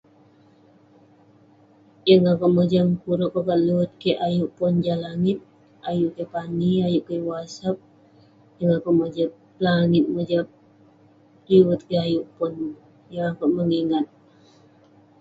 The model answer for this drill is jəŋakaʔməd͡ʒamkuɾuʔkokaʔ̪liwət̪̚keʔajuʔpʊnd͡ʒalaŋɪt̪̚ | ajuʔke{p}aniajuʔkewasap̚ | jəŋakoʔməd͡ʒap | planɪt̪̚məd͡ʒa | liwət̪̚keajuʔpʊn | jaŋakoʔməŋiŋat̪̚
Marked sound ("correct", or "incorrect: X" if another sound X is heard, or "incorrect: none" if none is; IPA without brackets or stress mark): correct